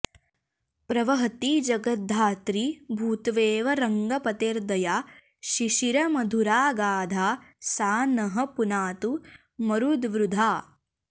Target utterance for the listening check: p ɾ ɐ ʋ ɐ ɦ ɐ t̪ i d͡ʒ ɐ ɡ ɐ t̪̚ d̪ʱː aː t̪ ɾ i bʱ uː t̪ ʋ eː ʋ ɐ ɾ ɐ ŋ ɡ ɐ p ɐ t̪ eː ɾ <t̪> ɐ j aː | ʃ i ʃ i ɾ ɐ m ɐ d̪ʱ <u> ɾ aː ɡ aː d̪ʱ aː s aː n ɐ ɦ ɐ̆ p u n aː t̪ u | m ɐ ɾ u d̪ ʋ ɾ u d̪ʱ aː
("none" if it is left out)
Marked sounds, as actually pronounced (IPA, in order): d̪, u

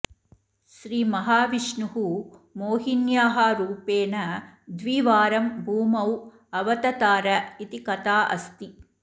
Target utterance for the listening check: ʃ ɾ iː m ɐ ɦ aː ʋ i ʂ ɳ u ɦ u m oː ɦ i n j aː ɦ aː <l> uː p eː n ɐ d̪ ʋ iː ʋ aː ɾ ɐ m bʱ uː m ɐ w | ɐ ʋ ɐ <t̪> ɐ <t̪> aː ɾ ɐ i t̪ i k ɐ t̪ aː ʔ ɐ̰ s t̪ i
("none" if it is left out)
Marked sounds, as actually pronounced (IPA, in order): ɾ, t̪, t̪

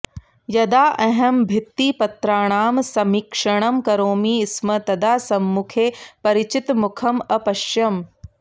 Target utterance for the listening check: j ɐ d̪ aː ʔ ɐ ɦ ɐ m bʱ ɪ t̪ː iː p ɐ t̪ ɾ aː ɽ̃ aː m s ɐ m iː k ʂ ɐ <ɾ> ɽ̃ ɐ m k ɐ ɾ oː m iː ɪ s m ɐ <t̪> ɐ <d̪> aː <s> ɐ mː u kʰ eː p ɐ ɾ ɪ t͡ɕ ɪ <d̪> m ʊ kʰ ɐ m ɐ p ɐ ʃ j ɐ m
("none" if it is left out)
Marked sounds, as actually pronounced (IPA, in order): none, t̪, d̪, s, t̪

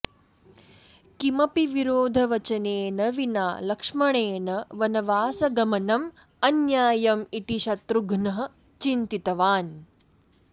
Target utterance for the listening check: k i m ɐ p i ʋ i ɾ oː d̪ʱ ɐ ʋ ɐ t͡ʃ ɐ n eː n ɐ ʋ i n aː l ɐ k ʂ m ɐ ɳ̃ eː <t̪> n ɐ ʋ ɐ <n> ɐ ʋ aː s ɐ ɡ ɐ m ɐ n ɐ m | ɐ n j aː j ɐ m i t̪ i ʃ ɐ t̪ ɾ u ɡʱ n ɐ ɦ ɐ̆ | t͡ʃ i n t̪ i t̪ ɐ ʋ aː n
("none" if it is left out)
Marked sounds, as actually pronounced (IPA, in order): none, n

